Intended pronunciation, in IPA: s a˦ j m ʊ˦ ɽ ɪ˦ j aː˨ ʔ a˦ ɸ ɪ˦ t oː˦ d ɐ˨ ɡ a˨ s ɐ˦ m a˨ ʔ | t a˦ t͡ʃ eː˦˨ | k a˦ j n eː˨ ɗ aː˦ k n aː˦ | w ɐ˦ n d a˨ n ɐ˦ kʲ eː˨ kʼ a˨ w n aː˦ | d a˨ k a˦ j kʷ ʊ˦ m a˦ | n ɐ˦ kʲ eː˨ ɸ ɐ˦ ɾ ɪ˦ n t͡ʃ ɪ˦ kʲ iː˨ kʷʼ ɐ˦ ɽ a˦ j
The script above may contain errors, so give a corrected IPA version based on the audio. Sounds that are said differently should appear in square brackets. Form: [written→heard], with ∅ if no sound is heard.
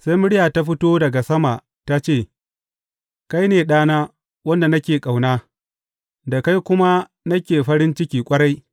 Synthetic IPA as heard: s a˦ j m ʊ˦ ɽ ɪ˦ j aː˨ [ʔ→t] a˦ ɸ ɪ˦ t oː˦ d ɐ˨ ɡ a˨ s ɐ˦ m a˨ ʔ | t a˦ t͡ʃ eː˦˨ | k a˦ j n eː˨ ɗ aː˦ [k→∅] n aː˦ | w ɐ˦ n d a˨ n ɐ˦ kʲ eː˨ kʼ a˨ w n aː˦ | d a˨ k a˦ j kʷ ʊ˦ m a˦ | n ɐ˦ kʲ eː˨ ɸ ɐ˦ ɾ ɪ˦ n t͡ʃ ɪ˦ kʲ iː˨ kʷʼ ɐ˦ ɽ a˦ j